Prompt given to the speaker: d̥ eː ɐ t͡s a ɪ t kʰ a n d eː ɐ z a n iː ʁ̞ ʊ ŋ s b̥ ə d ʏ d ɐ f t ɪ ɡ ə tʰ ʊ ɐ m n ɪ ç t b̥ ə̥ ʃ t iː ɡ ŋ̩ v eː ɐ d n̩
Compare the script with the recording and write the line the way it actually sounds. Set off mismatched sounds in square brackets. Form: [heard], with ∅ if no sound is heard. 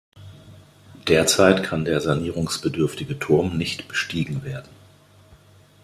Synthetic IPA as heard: d̥ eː ɐ t͡s a ɪ t kʰ a n d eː ɐ z a n iː ʁ̞ ʊ ŋ s b̥ ə d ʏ [∅] ɐ f t ɪ ɡ ə tʰ ʊ ɐ m n ɪ ç t b̥ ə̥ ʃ t iː ɡ ŋ̩ v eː ɐ d n̩